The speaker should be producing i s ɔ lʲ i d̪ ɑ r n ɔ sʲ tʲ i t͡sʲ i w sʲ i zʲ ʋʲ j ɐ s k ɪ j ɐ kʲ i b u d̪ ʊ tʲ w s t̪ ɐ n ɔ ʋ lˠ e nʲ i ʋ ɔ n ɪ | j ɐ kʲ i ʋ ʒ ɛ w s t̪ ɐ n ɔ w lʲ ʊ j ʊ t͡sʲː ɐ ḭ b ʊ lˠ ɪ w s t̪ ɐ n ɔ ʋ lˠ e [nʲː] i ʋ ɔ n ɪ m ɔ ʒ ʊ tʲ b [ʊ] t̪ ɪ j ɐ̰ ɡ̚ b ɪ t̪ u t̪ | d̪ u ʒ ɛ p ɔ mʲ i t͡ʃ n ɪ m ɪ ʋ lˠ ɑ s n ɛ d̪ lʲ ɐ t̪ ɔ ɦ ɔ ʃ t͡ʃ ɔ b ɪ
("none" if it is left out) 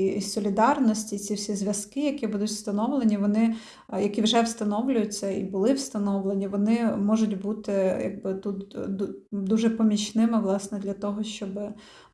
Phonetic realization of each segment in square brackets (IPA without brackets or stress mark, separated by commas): nʲ, u